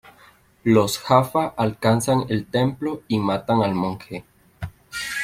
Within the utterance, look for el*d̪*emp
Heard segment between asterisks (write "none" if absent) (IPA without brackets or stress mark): t̪